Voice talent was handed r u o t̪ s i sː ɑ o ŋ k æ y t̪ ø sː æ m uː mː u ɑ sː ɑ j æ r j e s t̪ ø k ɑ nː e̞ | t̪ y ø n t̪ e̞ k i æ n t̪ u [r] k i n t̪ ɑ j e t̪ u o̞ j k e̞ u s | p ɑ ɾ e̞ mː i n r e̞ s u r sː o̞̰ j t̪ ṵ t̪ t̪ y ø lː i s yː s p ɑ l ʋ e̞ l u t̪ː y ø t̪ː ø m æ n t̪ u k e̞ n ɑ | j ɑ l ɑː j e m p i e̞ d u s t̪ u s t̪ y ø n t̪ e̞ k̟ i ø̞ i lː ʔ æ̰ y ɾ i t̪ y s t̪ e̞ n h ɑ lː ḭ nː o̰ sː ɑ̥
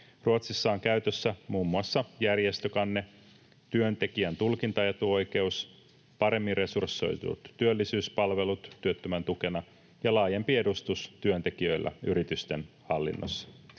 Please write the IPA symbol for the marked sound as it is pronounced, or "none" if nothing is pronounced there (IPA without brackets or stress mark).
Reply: l